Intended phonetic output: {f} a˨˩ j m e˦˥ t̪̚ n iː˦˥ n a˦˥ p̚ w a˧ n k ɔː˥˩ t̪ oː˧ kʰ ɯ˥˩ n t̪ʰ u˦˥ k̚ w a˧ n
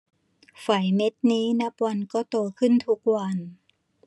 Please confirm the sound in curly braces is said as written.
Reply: yes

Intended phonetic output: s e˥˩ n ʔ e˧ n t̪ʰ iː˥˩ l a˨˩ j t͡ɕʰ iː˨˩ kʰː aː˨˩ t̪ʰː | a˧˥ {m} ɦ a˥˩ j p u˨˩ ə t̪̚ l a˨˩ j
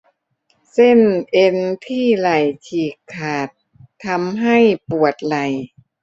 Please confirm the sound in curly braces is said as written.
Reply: yes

